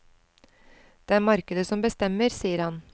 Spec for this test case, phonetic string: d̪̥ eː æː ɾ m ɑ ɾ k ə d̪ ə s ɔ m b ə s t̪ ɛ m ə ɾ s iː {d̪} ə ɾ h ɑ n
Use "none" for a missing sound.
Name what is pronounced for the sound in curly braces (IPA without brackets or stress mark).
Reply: none